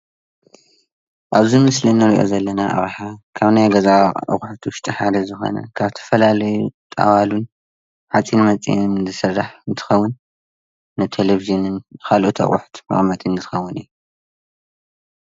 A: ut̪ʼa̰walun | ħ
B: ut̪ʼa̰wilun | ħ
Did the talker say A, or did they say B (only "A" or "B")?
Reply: A